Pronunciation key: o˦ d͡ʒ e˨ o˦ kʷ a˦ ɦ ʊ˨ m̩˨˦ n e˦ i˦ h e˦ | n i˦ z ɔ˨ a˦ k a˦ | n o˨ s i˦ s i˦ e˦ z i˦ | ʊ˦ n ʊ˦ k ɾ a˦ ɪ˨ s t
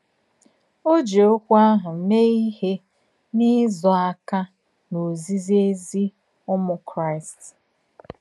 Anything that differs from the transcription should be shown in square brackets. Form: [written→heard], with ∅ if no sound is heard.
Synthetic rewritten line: o˦ d͡ʒ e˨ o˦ kʷ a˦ ɦ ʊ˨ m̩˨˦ [n→m] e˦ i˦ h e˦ | n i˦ z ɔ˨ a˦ k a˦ | n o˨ [s→z] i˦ [s→z] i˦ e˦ z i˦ | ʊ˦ [n→m] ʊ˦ k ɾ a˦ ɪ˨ s t